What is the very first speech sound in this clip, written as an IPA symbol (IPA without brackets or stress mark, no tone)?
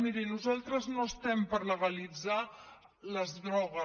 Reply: m